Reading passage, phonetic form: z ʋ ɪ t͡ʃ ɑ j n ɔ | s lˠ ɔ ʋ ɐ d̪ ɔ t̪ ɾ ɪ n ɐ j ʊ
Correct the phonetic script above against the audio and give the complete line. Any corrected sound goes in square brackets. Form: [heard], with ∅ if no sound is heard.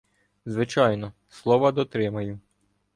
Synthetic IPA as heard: z ʋ ɪ t͡ʃ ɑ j n ɔ | s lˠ ɔ ʋ ɐ d̪ ɔ t̪ ɾ ɪ [m] ɐ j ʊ

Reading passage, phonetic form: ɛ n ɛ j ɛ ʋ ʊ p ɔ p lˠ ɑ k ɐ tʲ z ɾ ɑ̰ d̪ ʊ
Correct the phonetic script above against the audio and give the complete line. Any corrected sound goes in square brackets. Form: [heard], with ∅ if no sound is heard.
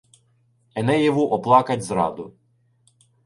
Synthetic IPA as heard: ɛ n ɛ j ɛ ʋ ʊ [ʔ] ɔ p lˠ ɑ k ɐ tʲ z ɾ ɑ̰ d̪ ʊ

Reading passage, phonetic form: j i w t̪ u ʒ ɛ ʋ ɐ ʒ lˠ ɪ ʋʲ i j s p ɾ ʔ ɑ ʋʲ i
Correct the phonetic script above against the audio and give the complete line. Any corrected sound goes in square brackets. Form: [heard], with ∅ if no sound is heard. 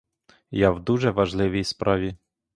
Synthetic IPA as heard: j [a] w [d̪] u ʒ ɛ ʋ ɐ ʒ lˠ ɪ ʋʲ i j s p ɾ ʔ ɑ ʋʲ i

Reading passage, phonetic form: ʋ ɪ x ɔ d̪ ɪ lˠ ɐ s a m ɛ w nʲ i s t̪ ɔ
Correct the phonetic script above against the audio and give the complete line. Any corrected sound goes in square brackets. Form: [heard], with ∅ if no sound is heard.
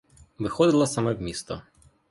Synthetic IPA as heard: ʋ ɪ x ɔ d̪ ɪ lˠ ɐ s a m ɛ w [mʲ] i s t̪ ɔ

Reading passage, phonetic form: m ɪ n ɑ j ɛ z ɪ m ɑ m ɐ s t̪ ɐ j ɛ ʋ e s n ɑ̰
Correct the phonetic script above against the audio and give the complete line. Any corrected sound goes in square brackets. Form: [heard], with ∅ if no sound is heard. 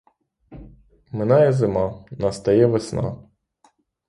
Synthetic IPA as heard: m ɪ n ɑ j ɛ z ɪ m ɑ [n] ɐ s t̪ ɐ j ɛ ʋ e s n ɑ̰

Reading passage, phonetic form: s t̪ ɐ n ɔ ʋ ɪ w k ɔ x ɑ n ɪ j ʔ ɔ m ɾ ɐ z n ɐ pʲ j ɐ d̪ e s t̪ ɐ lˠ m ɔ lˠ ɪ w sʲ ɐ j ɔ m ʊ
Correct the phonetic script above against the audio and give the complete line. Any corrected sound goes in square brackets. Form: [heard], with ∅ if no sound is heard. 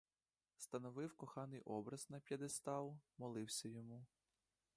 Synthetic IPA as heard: s t̪ ɐ n ɔ ʋ ɪ w k ɔ x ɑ n ɪ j ʔ ɔ [b] ɾ ɐ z n ɐ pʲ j ɐ d̪ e s t̪ [ɑ] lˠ m ɔ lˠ ɪ w sʲ ɐ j ɔ m [u]

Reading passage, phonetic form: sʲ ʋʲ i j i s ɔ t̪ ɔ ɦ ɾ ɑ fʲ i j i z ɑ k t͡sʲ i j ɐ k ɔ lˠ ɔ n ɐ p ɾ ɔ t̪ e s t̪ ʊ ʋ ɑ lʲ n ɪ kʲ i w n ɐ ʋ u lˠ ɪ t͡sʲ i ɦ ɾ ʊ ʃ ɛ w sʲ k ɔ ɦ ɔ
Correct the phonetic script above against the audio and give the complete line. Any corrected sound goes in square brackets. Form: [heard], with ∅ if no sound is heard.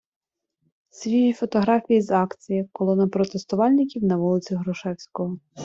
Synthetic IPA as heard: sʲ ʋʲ i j i [f] ɔ t̪ ɔ ɦ ɾ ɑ fʲ i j i z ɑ k t͡sʲ i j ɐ k ɔ lˠ ɔ n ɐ p ɾ ɔ t̪ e s t̪ ʊ ʋ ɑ lʲ n ɪ kʲ i w n ɐ ʋ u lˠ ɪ t͡sʲ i ɦ ɾ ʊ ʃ ɛ w sʲ k ɔ ɦ ɔ

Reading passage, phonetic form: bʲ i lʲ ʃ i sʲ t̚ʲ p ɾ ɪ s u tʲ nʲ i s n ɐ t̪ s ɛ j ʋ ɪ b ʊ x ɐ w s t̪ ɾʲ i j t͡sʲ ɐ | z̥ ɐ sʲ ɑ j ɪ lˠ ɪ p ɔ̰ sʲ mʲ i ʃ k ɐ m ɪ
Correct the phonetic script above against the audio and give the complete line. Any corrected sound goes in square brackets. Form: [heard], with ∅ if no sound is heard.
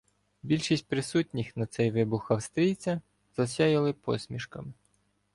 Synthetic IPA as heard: bʲ i lʲ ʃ i sʲ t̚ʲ p ɾ ɪ s u tʲ nʲ i [x] n ɐ t̪ s ɛ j ʋ ɪ b ʊ x ɐ w s t̪ ɾʲ i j t͡sʲ ɐ | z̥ ɐ sʲ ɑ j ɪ lˠ ɪ p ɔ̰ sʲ mʲ i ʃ k ɐ m ɪ

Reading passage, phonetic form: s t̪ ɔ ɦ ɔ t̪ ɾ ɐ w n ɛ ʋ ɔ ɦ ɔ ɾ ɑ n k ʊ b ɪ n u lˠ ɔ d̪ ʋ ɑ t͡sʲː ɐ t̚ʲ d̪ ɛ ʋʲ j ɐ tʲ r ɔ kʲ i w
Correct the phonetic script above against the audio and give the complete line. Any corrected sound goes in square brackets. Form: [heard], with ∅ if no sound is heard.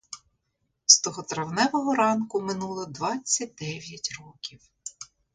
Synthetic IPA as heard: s t̪ ɔ ɦ ɔ t̪ ɾ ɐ w n ɛ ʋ ɔ ɦ ɔ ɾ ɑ n k ʊ [m] ɪ n u lˠ ɔ d̪ ʋ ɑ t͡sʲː ɐ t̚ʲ d̪ ɛ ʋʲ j ɐ tʲ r ɔ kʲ i w

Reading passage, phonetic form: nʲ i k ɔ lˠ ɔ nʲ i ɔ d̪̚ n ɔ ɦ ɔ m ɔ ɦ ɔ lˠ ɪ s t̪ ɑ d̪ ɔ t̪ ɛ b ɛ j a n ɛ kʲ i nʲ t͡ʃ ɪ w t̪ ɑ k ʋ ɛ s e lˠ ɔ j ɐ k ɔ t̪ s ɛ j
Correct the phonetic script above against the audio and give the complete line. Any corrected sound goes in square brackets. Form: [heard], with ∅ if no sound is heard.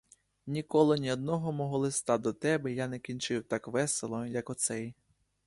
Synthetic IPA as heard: nʲ i k ɔ lˠ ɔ nʲ i ɔ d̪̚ n ɔ ɦ ɔ m ɔ ɦ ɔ lˠ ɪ s t̪ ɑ d̪ ɔ t̪ ɛ b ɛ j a n ɛ kʲ i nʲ t͡ʃ ɪ w t̪ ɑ k ʋ ɛ s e lˠ ɔ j ɐ k ɔ t̪ s ɛ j

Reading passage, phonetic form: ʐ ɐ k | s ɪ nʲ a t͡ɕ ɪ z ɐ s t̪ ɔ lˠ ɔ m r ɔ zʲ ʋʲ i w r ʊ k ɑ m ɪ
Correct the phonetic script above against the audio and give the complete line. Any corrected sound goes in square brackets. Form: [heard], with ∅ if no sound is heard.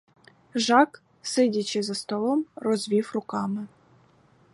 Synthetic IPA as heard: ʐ [ɑ] k | s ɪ [dʲ] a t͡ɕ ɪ z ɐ s t̪ ɔ lˠ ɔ m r ɔ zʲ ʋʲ i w r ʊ k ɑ m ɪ

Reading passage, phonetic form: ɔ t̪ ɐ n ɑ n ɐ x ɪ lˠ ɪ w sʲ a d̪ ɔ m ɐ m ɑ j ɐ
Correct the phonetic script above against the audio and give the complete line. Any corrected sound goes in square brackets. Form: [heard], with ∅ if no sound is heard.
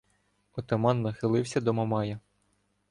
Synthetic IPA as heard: ɔ t̪ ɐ [m] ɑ [nː] ɐ x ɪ lˠ ɪ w sʲ [ɐ] d̪ ɔ m ɐ m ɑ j ɐ

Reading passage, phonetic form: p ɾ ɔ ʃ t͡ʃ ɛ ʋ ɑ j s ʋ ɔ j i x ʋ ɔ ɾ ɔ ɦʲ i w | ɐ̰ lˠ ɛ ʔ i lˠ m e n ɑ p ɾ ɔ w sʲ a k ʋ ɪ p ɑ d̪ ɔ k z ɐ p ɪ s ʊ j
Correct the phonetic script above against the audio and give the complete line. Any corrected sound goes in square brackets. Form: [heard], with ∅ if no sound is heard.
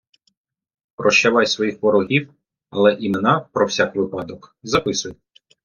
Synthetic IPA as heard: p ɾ ɔ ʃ t͡ʃ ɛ ʋ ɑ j s ʋ ɔ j i x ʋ ɔ ɾ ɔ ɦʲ i w | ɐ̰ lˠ ɛ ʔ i [∅] m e n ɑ p ɾ ɔ w sʲ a k ʋ ɪ p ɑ d̪ ɔ k z ɐ p ɪ s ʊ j

